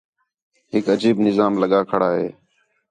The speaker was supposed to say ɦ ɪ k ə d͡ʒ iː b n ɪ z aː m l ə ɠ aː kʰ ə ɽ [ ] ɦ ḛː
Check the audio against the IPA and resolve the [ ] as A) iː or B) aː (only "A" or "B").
B